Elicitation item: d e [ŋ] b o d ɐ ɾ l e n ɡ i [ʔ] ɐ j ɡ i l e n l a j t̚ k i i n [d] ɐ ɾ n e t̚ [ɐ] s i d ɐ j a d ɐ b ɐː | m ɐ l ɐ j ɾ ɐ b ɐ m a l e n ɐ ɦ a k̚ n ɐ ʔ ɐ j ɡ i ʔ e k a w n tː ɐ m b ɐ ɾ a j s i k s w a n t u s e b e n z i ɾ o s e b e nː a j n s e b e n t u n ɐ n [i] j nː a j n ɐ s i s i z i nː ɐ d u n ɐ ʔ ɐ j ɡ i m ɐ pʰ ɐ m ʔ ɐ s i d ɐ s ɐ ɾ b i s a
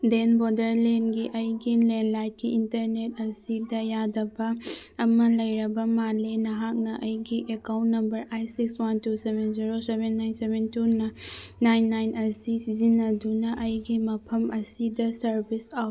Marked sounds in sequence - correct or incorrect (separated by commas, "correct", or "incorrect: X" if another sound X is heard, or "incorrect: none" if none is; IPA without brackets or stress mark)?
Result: incorrect: n, correct, incorrect: t, correct, incorrect: a